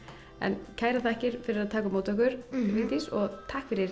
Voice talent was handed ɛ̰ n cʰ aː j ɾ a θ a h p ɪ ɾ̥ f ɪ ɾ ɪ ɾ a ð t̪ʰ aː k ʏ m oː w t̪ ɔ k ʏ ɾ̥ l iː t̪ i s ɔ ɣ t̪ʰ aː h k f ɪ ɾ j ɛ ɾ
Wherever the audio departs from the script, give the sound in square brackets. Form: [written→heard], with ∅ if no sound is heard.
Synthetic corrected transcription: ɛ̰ n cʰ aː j ɾ a θ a h [p→c] ɪ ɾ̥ f ɪ ɾ ɪ ɾ a ð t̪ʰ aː k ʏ m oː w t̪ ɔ k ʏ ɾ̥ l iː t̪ i s ɔ ɣ t̪ʰ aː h k f ɪ ɾ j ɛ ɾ